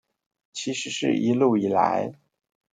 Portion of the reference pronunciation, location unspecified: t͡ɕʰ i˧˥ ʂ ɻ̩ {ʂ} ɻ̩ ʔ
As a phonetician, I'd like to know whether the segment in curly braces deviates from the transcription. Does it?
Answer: no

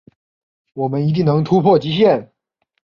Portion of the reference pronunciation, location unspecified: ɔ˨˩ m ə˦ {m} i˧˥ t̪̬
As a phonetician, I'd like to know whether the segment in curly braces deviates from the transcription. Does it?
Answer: yes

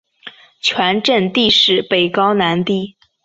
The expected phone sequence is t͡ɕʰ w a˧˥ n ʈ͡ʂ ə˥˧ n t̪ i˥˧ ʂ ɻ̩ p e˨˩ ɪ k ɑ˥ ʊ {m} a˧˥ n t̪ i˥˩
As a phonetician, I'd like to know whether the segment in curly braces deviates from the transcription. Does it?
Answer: yes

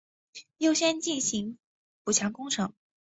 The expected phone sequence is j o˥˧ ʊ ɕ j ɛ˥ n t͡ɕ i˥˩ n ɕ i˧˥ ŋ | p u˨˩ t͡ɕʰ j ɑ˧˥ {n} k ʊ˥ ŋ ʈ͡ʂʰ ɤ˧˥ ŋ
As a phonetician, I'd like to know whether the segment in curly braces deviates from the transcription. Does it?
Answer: yes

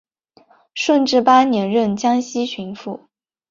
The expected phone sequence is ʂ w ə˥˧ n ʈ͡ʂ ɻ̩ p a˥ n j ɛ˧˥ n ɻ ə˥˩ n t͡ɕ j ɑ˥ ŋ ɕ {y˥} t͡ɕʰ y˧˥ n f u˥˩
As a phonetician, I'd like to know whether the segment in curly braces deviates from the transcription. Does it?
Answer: yes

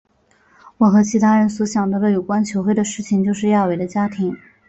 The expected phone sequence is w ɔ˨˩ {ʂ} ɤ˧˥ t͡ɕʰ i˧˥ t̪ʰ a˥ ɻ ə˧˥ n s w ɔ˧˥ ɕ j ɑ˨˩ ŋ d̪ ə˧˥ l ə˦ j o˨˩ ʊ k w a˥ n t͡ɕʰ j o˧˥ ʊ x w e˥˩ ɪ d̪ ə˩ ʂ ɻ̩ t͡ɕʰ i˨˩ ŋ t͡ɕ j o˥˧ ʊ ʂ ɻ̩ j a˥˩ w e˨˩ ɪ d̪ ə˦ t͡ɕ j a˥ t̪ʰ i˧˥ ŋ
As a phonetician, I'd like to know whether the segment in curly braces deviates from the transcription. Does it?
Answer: yes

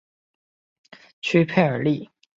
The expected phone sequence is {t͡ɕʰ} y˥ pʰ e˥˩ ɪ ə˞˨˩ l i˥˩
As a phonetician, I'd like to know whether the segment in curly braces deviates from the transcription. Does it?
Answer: no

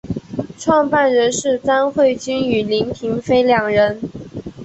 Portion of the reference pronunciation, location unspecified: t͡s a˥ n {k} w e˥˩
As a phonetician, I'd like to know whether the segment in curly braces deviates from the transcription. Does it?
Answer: yes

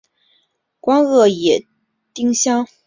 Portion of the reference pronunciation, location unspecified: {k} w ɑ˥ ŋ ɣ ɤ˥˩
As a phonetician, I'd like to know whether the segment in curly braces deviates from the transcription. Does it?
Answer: no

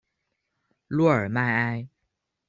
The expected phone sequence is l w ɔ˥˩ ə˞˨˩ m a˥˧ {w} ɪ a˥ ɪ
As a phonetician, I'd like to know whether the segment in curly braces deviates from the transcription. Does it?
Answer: yes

